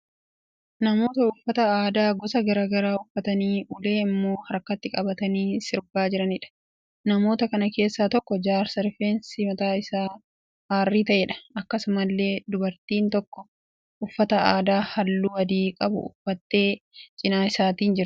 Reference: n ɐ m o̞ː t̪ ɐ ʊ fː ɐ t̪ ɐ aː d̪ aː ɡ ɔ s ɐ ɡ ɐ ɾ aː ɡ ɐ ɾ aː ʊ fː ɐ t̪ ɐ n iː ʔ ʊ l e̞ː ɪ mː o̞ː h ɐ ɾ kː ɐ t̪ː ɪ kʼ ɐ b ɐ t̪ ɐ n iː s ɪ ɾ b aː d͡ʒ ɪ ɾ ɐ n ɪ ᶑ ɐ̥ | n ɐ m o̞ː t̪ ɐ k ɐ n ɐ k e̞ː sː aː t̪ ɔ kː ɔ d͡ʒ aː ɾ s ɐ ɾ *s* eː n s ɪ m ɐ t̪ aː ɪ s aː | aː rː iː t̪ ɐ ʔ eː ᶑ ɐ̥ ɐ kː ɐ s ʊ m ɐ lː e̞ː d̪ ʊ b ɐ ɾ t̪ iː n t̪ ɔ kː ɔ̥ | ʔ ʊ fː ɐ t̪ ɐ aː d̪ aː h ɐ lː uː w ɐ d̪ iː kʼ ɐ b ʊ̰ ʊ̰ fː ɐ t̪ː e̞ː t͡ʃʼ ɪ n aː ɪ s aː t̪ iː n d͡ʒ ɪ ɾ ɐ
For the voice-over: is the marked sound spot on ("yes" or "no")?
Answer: no